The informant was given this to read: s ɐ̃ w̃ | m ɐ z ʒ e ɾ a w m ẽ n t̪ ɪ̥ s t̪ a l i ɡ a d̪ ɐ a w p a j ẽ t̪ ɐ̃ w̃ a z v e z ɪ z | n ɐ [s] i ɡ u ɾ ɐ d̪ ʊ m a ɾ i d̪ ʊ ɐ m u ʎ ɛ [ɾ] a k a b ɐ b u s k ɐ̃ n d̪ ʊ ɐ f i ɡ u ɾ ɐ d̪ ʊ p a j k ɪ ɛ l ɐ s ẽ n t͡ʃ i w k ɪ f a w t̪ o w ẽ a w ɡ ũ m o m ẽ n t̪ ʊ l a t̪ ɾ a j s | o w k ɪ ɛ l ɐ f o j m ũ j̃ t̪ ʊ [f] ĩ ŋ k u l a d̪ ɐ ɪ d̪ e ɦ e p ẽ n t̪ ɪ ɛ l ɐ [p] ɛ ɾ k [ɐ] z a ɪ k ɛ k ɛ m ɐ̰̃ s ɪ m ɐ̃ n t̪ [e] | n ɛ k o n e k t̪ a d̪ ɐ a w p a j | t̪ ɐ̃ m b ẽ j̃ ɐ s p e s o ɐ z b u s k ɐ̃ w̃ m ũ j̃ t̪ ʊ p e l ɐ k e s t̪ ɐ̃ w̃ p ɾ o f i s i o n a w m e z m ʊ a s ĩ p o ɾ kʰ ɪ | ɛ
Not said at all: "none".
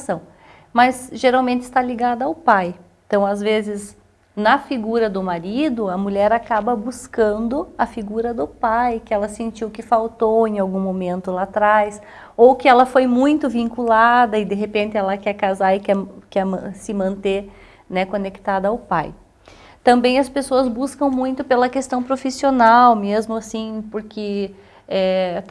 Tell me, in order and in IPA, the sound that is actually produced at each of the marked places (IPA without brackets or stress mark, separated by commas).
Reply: f, ɾ, v, k, a, e